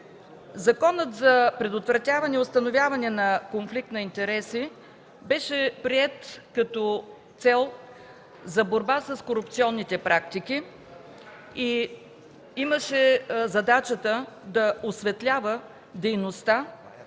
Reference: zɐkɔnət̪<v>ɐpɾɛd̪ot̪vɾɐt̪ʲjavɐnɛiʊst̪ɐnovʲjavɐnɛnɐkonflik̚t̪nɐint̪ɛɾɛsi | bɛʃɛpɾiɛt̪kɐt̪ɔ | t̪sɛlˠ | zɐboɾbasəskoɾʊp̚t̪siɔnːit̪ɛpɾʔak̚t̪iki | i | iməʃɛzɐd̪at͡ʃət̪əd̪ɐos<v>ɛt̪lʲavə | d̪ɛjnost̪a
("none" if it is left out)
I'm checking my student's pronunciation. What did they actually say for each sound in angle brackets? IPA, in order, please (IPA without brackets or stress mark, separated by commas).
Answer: z, v